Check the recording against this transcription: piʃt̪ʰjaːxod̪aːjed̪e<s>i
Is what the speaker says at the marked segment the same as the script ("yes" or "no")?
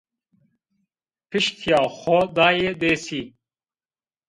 yes